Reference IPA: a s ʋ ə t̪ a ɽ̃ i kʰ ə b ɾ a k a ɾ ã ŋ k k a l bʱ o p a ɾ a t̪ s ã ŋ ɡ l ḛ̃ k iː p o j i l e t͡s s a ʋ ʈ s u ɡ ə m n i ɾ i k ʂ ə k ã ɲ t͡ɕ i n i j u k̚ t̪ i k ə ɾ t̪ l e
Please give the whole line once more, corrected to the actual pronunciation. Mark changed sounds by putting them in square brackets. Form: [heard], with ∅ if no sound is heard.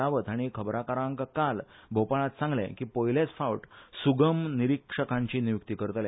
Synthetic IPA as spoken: a [∅] ʋ ə t̪ a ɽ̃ i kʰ ə b ɾ a k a ɾ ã ŋ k k a l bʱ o p a [ɭ] a t̪ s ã ŋ ɡ l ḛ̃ k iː p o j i l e t͡s [f] a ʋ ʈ s u ɡ ə m n i ɾ i k ʂ ə k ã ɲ t͡ɕ i n i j u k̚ t̪ i k ə ɾ t̪ l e